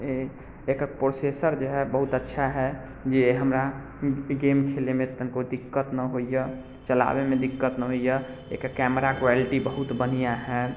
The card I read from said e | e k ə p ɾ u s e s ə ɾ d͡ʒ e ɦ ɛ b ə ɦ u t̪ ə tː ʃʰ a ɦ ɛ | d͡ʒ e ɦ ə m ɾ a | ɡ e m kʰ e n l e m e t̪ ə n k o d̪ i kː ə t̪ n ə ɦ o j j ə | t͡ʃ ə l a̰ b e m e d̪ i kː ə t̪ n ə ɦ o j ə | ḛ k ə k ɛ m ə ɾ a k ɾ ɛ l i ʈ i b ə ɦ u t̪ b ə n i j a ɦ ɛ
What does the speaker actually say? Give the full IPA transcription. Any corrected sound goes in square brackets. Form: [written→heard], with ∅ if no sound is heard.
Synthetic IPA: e | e k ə p ɾ [u→o] s e s ə ɾ d͡ʒ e ɦ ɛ b ə ɦ u t̪ ə tː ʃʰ a ɦ ɛ | d͡ʒ e ɦ ə m ɾ a | ɡ e m kʰ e [n→∅] l e m e t̪ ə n k o d̪ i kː ə t̪ n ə ɦ o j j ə | t͡ʃ ə l a̰ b e m e d̪ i kː ə t̪ n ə ɦ o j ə | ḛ k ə k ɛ m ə ɾ a k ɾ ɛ l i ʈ i b ə ɦ u t̪ b ə n i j a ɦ ɛ